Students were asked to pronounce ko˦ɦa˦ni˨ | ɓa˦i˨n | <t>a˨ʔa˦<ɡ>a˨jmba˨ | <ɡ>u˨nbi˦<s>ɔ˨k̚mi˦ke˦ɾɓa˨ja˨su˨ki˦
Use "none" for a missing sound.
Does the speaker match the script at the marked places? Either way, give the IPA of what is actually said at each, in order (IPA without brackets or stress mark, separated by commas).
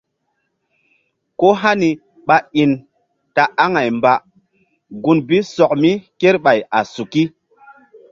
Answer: t, ŋ, ɡ, s